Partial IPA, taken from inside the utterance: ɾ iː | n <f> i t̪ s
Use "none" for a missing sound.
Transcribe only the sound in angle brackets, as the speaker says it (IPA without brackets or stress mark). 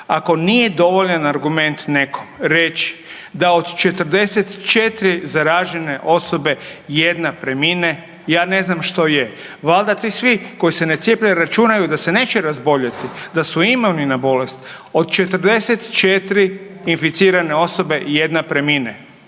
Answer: f